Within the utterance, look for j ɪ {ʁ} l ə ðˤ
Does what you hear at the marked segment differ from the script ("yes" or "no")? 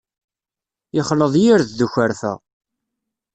yes